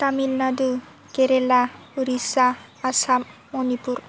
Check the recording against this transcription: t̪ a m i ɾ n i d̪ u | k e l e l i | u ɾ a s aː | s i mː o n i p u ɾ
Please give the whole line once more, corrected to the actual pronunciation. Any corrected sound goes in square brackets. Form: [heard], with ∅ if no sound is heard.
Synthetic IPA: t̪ a m i [l] n [a] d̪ u | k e [ɾ] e l [a] | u ɾ [i] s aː | s [a] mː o n i p u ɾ